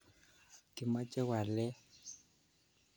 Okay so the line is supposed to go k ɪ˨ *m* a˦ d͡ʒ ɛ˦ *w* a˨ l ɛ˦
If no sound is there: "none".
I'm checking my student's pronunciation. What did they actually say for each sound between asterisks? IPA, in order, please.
m, w

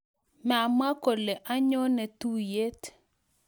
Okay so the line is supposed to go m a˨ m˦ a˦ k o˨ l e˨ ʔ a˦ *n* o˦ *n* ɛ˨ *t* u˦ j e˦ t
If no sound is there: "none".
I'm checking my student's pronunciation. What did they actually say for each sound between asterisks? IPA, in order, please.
ɲ, n, t

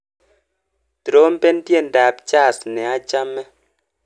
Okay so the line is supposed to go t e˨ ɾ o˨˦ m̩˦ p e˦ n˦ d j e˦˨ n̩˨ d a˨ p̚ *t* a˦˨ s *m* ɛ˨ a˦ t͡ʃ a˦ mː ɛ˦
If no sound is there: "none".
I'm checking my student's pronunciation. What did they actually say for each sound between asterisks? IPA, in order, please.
t͡ʃ, n

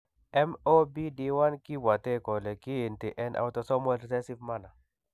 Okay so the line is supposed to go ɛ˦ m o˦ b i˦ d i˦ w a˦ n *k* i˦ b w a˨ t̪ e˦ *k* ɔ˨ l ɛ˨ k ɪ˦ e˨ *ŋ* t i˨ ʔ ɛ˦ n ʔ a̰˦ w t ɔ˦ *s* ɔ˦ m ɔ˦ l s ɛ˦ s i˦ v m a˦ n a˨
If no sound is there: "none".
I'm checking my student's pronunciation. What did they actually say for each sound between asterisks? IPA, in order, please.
k, k, n, s

